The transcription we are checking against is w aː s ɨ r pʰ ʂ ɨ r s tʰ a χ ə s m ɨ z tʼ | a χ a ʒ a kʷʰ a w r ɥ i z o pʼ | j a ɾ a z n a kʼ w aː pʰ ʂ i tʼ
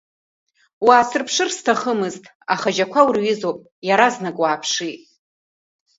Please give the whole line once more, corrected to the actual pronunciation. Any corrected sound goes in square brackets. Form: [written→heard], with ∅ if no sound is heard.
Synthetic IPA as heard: w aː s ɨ r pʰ ʂ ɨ r s tʰ a χ ə [s→∅] m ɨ z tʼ | a χ a ʒ a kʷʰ a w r ɥ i z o pʼ | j a ɾ a z n a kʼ w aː pʰ ʂ i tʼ